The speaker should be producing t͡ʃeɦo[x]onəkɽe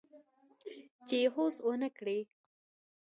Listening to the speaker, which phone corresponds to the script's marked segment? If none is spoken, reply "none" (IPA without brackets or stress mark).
s